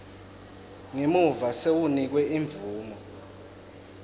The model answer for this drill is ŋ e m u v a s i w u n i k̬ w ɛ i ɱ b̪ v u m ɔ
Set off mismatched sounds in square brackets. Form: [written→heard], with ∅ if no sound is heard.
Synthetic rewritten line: ŋ e m u v a s [i→e] w u n i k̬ w ɛ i ɱ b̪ v [u→uː] m ɔ